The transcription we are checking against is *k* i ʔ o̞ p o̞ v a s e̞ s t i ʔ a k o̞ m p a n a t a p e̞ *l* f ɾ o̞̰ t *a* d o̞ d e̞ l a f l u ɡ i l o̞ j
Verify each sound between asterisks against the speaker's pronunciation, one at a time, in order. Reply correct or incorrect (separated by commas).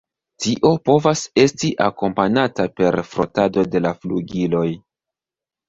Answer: incorrect, incorrect, correct